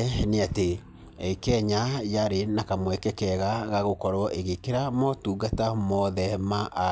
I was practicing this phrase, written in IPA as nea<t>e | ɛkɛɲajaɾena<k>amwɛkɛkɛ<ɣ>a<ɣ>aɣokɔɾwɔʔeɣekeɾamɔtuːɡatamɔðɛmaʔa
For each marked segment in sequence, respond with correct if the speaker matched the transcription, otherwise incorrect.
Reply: correct, correct, correct, correct

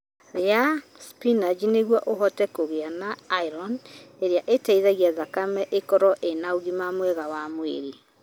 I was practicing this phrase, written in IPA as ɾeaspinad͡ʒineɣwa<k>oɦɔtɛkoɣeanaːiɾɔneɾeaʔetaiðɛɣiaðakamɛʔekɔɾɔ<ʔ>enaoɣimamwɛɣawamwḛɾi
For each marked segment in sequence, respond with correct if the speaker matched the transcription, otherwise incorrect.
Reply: incorrect: ʔ, correct

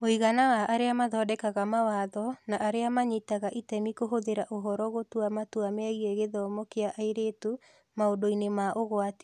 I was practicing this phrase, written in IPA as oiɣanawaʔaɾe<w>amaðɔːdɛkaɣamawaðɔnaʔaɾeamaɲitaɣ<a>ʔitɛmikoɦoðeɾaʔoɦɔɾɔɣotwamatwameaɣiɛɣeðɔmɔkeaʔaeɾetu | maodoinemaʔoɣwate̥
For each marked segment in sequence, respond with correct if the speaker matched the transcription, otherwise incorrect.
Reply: incorrect: none, correct

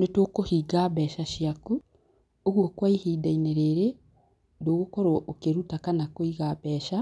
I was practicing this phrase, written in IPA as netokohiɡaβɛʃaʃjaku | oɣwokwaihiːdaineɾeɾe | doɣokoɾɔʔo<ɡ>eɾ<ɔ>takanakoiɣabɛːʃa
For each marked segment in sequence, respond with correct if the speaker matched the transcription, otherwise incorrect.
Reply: incorrect: k, incorrect: u

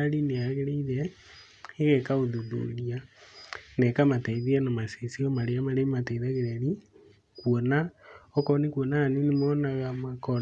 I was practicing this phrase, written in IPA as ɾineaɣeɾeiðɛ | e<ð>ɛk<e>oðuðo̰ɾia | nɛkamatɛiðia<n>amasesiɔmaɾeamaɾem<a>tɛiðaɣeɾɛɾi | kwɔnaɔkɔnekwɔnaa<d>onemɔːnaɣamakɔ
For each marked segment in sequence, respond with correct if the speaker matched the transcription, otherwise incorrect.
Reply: incorrect: ɣ, incorrect: a, correct, correct, incorrect: n

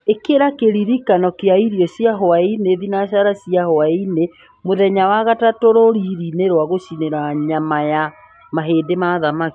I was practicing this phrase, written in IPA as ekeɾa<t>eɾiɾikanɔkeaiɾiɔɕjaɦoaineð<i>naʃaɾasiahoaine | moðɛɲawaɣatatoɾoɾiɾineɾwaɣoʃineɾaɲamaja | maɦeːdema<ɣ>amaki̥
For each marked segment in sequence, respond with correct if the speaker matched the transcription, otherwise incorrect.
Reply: incorrect: k, correct, incorrect: ð

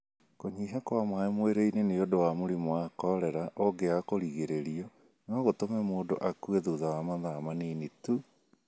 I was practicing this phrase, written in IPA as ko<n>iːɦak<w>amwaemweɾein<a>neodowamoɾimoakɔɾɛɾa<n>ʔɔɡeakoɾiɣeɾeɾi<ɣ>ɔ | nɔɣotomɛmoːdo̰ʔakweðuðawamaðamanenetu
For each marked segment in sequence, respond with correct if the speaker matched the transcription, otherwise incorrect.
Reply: incorrect: ɲ, correct, incorrect: e, incorrect: none, incorrect: none

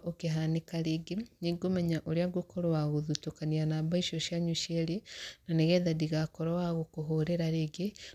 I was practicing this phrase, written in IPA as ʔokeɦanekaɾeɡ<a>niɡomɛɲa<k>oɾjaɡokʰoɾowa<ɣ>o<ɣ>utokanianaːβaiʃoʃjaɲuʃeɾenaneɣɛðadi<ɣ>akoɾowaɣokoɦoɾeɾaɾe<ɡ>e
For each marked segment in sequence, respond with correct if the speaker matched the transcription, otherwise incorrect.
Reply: incorrect: e, incorrect: ʔ, correct, incorrect: ð, correct, correct

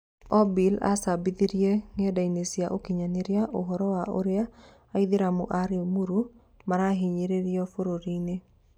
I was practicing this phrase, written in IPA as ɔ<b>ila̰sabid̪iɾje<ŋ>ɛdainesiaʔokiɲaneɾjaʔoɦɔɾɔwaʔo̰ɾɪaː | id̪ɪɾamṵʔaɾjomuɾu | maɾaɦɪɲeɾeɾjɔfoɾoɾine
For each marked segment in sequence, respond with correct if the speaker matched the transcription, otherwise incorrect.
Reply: correct, correct

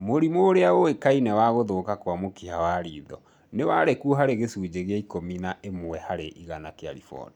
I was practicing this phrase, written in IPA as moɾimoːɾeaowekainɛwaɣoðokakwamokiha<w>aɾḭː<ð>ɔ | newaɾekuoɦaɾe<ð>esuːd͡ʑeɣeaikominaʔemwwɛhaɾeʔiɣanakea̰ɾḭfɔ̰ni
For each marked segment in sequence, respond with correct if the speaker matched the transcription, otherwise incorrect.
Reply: correct, correct, incorrect: ɣ

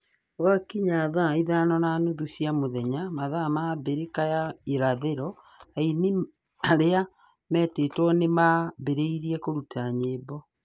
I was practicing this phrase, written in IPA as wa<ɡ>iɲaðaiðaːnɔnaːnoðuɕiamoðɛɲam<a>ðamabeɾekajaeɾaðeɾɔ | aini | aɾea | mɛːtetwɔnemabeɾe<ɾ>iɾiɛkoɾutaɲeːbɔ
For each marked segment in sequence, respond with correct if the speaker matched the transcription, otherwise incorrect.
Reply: incorrect: k, correct, incorrect: none

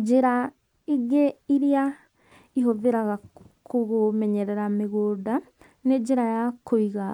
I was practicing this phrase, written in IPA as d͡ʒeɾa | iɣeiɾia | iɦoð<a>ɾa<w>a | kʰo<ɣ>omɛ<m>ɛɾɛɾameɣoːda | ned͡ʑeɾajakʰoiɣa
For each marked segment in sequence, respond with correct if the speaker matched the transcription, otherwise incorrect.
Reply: incorrect: e, incorrect: ɣ, correct, incorrect: ɲ

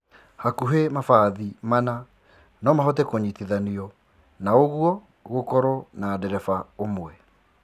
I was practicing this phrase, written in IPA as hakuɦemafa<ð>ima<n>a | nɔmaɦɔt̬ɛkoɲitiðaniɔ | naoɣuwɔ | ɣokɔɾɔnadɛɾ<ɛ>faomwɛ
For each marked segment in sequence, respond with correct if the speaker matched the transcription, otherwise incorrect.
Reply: correct, correct, correct

